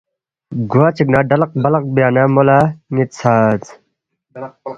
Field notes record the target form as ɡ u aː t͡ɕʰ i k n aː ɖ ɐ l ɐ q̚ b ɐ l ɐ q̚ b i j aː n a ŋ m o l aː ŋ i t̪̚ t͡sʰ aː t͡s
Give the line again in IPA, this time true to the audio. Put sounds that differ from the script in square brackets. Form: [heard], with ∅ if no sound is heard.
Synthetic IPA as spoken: ɡ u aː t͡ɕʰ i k n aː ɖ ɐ l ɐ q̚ b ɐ l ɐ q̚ b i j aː n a [∅] m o l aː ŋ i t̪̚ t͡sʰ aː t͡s